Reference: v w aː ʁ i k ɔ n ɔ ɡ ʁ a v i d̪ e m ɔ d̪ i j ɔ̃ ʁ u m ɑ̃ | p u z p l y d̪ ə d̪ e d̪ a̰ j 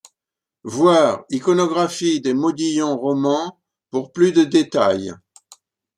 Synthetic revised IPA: v w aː ʁ i k ɔ n ɔ ɡ ʁ a f i d̪ e m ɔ d̪ i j ɔ̃ ʁ ɔ m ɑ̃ | p u ʁ p l y d̪ ə d̪ e t̪ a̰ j